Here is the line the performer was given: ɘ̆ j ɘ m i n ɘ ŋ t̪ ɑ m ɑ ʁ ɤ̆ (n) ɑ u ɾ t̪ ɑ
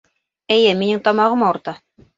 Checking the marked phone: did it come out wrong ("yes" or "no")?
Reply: yes